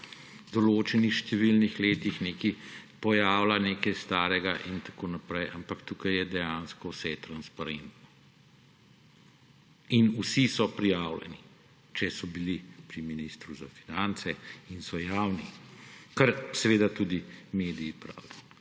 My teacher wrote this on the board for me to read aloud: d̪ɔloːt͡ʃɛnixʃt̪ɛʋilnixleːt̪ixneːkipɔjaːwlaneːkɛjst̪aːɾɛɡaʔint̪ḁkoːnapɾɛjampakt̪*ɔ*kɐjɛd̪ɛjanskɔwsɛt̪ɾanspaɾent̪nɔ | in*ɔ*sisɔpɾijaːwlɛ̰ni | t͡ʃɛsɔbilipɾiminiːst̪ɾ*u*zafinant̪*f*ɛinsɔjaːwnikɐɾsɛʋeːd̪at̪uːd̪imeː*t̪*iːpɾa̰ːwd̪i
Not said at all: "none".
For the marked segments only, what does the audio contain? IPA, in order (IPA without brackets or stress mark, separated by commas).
u, u, u, s, d̪